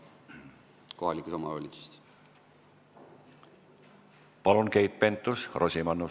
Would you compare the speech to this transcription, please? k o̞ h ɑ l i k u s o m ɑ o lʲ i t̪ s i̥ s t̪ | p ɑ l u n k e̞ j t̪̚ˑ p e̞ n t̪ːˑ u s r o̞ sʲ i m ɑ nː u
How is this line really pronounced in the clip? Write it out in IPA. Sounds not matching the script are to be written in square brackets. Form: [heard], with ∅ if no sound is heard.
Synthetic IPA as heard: k o̞ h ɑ l i k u s o m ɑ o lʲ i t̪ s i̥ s t̪ | p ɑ l u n k e̞ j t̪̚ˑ p e̞ n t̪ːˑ u s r o̞ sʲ i m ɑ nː u